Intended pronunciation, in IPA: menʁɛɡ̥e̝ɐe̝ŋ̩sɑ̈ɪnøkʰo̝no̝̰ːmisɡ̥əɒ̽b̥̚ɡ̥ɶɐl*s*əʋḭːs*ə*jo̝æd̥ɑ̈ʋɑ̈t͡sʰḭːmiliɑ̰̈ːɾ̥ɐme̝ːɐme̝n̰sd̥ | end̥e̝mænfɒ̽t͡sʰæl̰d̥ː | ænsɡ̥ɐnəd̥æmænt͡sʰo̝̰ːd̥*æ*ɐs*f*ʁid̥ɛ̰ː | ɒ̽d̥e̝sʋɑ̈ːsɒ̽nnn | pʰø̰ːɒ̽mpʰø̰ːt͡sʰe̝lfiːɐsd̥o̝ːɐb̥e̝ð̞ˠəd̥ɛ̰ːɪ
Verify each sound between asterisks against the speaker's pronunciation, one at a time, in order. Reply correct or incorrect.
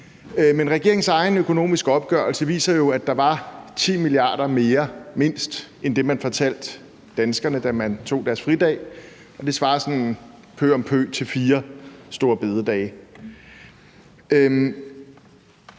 correct, incorrect: ɐ, correct, correct

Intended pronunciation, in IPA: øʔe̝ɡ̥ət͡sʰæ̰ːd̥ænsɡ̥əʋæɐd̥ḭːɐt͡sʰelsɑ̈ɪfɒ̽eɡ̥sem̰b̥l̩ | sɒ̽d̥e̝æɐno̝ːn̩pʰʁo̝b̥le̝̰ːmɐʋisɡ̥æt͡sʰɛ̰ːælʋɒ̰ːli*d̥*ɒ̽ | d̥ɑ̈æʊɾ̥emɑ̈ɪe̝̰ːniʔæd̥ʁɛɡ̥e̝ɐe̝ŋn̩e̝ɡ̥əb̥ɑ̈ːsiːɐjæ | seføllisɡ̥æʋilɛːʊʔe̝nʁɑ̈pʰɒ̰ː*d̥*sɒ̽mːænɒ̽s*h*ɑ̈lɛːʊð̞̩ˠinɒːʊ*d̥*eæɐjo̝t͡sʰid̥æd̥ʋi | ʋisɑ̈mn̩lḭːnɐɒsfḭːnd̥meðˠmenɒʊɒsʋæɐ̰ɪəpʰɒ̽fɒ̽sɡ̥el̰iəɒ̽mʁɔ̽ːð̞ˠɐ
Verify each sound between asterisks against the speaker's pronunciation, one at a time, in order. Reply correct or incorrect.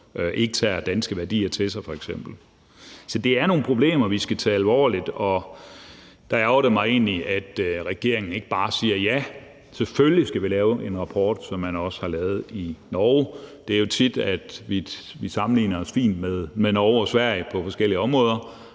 correct, correct, correct, correct

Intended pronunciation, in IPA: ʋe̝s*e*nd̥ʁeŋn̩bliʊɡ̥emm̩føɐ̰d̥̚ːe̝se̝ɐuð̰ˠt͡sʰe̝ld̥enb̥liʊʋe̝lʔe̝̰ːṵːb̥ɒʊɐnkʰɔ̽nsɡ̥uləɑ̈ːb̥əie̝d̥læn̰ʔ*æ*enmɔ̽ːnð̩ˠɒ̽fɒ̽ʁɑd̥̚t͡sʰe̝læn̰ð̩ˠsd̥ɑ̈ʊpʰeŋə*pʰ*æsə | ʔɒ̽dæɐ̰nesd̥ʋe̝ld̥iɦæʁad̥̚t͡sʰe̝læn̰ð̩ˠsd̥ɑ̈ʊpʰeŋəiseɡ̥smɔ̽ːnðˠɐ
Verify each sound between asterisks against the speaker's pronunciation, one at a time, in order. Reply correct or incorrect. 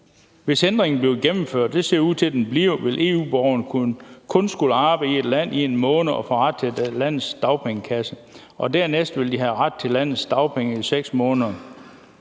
correct, incorrect: i, incorrect: kʰ

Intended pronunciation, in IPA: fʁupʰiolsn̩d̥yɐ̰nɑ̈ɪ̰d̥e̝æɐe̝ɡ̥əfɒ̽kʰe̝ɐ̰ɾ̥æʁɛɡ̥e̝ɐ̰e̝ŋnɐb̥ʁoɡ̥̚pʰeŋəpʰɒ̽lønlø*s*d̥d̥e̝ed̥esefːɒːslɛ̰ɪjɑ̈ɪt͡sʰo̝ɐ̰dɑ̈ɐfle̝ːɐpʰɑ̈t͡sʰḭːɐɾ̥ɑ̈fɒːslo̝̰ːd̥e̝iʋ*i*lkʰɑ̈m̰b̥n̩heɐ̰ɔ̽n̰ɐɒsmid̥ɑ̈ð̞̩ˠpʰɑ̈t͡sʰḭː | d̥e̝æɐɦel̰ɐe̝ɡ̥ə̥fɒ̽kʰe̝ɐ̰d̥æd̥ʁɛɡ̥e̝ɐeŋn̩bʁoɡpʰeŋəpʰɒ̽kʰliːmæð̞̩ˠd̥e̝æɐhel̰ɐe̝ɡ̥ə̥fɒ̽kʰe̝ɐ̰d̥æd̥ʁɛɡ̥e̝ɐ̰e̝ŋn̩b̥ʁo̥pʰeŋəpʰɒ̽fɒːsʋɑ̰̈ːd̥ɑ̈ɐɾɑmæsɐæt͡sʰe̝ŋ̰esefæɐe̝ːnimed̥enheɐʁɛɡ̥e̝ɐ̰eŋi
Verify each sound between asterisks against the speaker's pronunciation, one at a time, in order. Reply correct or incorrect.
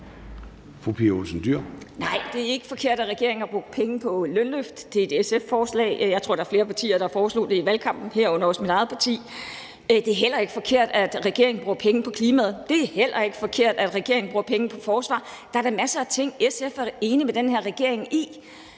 incorrect: f, incorrect: æ

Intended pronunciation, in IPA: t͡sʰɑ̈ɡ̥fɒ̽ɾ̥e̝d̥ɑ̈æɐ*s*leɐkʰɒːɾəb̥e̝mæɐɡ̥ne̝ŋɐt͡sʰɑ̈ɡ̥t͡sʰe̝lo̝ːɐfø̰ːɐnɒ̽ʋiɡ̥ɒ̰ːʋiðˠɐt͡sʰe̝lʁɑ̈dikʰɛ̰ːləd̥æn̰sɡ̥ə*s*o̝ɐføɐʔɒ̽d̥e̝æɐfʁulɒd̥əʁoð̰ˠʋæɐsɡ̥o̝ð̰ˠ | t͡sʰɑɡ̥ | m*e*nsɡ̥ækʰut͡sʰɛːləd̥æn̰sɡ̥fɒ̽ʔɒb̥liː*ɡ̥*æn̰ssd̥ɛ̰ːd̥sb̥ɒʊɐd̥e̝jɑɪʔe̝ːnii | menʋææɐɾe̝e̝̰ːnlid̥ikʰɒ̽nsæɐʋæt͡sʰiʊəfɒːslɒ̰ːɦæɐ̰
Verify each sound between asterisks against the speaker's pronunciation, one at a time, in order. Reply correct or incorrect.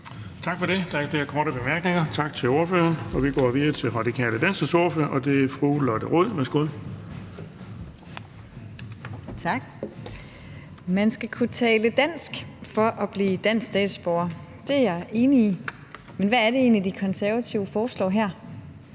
incorrect: f, correct, incorrect: æ, incorrect: d̥

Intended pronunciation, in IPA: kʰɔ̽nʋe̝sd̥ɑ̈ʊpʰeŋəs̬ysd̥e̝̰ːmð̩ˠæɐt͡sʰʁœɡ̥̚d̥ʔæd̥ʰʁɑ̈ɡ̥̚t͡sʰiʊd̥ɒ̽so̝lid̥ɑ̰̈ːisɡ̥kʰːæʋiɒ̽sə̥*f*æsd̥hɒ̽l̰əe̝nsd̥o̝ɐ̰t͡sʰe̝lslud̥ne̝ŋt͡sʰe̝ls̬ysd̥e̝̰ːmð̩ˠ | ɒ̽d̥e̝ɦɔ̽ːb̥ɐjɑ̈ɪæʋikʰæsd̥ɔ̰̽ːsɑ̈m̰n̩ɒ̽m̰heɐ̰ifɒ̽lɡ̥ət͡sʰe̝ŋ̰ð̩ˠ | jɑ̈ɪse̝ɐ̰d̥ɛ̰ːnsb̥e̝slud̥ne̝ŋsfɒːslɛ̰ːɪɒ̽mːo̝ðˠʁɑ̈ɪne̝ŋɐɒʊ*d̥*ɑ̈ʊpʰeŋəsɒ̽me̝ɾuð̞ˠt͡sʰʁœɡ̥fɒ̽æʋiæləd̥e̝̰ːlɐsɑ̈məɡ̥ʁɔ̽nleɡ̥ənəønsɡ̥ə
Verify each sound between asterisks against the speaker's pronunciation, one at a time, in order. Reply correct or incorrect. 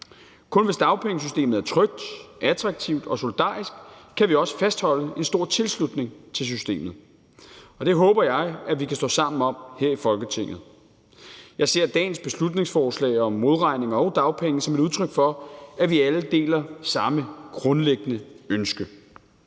correct, correct

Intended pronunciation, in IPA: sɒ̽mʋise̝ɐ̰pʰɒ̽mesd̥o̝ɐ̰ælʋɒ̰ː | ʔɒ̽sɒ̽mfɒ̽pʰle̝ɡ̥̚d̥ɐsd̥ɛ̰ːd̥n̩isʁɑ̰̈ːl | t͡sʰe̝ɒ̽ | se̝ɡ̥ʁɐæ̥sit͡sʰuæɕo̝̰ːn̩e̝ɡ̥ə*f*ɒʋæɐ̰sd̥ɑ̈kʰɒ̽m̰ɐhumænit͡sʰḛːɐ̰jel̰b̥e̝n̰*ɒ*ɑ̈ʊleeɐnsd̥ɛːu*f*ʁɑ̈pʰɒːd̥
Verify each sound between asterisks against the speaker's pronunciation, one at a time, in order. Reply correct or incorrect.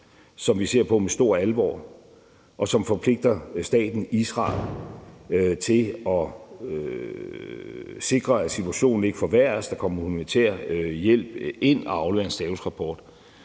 correct, correct, incorrect: s

